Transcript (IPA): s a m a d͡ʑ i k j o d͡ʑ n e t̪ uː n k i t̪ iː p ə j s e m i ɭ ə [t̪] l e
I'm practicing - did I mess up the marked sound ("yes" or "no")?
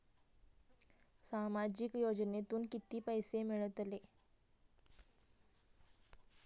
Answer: no